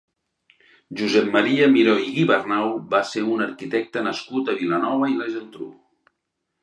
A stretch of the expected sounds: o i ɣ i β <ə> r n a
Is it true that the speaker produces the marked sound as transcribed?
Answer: yes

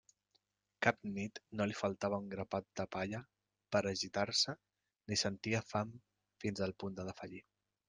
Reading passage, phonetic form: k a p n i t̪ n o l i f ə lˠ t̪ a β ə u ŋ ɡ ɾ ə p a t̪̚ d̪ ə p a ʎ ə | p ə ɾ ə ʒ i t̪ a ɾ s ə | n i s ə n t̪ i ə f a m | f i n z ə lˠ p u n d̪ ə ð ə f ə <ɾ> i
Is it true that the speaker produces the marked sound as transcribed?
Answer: no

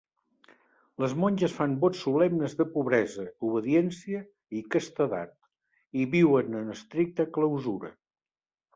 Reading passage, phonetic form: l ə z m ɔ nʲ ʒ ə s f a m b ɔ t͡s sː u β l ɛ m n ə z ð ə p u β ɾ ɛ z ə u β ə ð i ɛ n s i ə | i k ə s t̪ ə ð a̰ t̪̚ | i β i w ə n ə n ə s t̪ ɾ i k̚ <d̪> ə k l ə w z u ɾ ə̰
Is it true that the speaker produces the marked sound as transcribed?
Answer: no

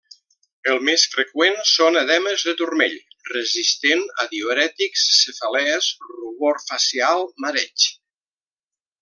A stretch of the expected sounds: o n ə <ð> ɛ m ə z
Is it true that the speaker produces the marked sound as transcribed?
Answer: yes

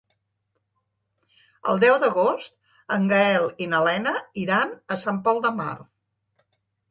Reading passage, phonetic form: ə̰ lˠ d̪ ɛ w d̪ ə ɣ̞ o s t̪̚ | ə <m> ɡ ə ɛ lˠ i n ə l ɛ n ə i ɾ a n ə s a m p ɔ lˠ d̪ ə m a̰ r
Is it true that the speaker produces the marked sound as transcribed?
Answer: no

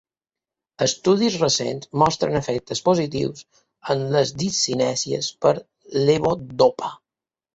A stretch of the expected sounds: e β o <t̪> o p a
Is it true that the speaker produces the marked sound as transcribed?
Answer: no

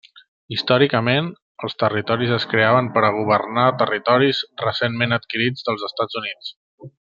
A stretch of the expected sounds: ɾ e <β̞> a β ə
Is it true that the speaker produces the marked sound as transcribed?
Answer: no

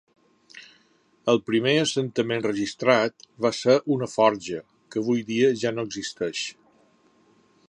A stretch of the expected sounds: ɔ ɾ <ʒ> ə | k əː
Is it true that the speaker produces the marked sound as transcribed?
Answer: yes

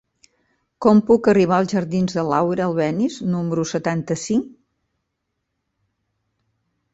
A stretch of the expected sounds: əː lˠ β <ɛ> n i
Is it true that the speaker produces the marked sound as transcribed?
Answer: yes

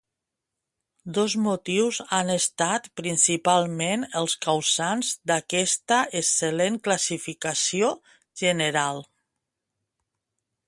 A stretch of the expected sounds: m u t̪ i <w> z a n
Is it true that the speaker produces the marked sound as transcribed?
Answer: yes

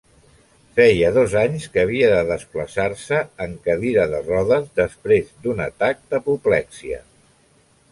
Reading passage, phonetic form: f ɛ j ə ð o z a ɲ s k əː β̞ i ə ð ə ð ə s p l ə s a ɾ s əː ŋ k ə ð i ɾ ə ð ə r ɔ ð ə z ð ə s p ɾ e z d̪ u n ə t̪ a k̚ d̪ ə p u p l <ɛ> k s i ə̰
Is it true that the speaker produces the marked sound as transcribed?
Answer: yes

